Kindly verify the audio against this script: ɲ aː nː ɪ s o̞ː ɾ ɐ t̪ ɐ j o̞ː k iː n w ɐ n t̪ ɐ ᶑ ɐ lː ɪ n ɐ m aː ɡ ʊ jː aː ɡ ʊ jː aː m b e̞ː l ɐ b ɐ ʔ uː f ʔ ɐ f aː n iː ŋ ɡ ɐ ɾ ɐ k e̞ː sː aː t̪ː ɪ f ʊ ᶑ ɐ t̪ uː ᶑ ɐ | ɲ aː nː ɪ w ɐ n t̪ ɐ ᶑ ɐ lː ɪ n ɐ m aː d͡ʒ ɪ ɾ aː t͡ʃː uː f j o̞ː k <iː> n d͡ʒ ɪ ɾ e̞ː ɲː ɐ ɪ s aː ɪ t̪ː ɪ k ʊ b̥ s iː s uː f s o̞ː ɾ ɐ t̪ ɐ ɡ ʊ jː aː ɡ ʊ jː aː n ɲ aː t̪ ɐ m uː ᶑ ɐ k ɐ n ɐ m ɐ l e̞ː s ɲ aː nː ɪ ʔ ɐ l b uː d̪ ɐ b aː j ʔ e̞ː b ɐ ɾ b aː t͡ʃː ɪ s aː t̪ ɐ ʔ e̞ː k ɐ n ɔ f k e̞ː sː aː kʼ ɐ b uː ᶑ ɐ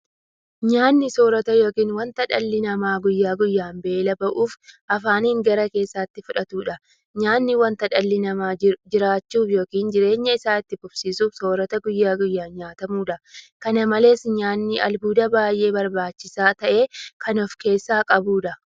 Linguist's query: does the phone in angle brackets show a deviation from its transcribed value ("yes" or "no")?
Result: no